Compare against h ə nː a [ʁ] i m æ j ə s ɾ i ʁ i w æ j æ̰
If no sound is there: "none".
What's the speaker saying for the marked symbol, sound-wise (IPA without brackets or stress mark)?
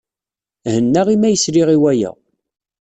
ʁ